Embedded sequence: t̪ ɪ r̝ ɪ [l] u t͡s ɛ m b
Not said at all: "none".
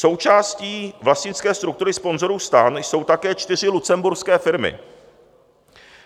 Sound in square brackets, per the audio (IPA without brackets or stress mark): l